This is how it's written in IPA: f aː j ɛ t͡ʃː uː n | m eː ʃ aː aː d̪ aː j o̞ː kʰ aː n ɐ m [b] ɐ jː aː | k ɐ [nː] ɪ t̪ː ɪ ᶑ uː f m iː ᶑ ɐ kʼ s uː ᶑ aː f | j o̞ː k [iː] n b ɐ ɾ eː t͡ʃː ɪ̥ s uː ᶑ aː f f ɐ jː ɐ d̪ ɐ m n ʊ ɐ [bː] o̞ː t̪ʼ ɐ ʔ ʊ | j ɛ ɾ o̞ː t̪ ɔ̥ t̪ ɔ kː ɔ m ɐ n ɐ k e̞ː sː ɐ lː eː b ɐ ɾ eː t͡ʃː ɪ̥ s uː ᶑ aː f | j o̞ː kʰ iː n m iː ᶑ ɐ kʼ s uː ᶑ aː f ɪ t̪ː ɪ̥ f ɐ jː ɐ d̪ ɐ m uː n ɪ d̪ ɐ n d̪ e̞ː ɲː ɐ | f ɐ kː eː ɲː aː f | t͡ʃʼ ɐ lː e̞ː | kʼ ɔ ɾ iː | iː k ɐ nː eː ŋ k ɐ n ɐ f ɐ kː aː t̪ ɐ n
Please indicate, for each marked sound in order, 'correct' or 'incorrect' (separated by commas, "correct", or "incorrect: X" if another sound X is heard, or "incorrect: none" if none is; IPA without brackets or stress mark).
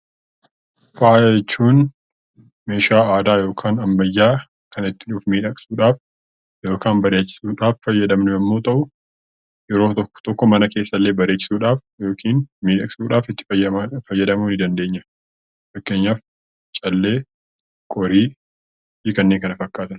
correct, incorrect: n, incorrect: aː, incorrect: mː